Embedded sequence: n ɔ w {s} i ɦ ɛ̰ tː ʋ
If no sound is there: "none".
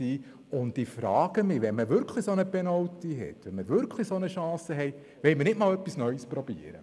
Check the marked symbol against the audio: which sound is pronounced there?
t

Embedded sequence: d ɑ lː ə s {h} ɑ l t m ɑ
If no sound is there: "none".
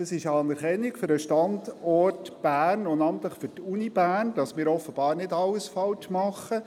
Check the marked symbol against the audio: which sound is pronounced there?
f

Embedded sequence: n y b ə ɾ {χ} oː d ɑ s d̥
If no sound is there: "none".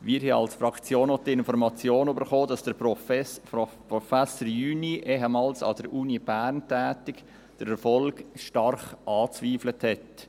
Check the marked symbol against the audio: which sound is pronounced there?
χ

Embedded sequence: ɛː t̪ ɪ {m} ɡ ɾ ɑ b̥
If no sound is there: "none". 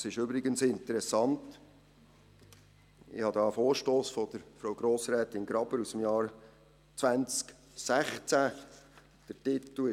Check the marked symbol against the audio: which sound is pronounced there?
n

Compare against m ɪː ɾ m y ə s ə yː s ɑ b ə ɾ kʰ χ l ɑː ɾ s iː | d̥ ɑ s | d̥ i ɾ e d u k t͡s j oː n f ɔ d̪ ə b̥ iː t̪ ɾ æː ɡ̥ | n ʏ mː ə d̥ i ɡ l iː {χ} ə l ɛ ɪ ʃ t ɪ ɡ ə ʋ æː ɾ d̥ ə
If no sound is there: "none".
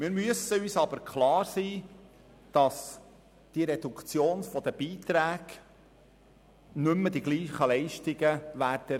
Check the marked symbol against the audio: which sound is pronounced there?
χ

